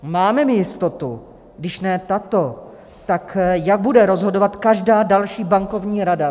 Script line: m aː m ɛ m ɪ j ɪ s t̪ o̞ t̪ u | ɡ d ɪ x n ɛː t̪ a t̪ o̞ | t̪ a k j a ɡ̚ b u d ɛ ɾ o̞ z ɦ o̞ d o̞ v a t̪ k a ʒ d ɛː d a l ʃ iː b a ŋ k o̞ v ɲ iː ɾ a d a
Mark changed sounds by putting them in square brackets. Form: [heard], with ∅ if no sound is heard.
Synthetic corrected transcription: m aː m ɛ m ɪ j ɪ s t̪ o̞ t̪ u | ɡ d ɪ [ʃ] n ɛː t̪ a t̪ o̞ | t̪ a k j a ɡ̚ b u d ɛ ɾ o̞ z ɦ o̞ d o̞ v a t̪ k a ʒ d [aː] d a l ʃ iː b a ŋ k o̞ v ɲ iː ɾ a d a